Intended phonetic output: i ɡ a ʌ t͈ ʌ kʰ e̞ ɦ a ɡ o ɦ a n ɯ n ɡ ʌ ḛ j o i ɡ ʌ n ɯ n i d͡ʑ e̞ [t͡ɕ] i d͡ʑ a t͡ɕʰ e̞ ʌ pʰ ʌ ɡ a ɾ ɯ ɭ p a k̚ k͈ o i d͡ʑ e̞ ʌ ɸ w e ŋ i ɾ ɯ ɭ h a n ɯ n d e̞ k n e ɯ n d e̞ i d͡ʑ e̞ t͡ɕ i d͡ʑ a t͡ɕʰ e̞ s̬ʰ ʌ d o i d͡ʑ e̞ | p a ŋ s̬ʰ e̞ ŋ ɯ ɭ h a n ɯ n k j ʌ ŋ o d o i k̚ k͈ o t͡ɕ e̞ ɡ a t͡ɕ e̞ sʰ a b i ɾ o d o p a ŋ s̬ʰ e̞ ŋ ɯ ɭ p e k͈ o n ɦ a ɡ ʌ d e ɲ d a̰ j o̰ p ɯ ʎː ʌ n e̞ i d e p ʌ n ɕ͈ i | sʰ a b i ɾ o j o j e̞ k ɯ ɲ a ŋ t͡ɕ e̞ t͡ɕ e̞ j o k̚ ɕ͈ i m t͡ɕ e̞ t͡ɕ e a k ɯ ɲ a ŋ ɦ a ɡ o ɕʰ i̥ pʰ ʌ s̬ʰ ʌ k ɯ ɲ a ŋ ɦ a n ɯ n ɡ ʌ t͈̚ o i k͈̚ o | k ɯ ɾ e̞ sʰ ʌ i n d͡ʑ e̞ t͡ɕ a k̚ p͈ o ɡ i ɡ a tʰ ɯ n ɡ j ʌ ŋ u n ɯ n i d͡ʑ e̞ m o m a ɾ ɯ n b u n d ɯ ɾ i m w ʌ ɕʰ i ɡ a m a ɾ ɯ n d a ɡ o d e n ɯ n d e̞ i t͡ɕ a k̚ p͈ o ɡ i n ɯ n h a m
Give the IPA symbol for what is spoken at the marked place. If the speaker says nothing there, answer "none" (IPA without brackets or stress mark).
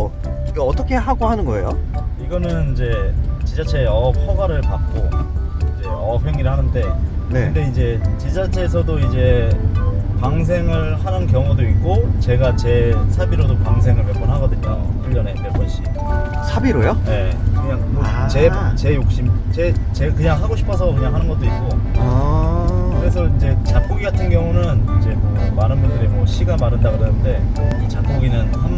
t͡ɕ